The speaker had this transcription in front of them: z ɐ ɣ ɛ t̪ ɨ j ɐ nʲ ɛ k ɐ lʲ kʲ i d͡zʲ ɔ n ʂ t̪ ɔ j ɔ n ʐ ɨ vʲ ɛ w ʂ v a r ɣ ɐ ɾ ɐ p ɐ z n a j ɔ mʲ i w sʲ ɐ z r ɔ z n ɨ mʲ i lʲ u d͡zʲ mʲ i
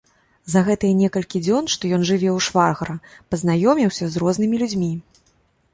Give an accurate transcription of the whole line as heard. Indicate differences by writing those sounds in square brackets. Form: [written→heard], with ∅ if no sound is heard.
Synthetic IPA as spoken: z ɐ ɣ ɛ t̪ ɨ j ɐ nʲ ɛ k ɐ lʲ kʲ i d͡zʲ ɔ n ʂ t̪ ɔ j ɔ n ʐ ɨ vʲ ɛ w ʂ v a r ɣ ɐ ɾ ɐ p ɐ z n a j ɔ mʲ i w sʲ ɐ z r ɔ z n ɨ mʲ i lʲ u d͡zʲ mʲ i